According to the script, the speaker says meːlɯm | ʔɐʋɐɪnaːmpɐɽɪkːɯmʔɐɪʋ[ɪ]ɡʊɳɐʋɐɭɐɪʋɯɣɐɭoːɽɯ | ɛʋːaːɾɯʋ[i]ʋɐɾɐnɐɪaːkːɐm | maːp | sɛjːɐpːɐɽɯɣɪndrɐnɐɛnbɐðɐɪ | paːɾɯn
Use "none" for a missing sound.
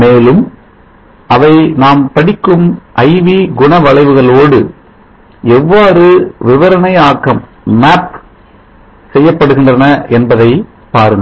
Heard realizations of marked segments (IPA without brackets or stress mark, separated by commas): i, ɪ